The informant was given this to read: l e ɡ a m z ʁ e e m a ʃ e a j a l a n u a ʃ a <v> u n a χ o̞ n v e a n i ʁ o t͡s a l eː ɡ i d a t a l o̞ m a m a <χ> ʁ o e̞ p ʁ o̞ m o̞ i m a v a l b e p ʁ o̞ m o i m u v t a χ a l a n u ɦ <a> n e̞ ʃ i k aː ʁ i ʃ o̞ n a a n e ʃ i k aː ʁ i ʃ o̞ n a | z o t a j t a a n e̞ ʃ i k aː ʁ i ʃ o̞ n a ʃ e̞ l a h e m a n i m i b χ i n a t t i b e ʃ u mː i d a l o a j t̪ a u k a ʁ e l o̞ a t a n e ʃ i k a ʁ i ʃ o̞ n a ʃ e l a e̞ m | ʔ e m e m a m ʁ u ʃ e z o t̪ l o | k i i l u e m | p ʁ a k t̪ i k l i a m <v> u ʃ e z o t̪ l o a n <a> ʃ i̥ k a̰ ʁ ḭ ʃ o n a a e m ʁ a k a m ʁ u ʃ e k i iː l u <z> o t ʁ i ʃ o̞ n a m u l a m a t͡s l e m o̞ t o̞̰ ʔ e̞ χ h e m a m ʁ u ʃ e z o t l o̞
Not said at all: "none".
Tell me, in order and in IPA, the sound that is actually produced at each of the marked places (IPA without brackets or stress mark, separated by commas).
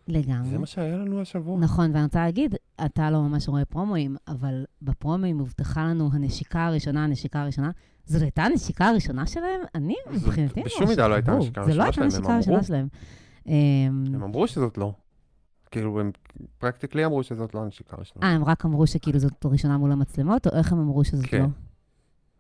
v, ʃ, a, ʁ, e, z